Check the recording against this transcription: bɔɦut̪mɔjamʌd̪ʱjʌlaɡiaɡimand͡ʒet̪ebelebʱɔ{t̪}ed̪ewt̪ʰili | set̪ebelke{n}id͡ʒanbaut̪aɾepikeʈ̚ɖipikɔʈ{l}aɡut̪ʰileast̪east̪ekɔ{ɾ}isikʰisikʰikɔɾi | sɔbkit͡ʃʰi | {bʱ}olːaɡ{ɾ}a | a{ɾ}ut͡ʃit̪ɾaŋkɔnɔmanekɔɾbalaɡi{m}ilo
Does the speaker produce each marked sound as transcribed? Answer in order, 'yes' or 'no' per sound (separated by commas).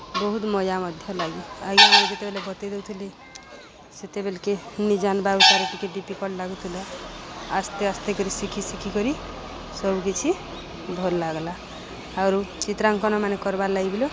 yes, yes, yes, yes, yes, no, yes, no